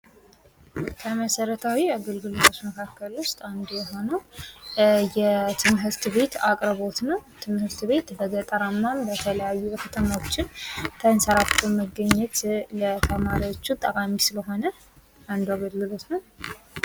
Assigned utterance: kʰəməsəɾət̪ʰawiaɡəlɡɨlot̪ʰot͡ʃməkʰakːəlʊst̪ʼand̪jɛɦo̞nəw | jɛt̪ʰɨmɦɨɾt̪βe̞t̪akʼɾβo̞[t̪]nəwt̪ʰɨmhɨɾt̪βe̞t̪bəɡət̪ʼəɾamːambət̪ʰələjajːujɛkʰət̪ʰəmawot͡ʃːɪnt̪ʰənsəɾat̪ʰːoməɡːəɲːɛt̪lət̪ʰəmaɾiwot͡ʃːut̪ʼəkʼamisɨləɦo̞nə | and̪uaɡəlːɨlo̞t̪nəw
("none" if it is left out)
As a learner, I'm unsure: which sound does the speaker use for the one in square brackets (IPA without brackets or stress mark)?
t̪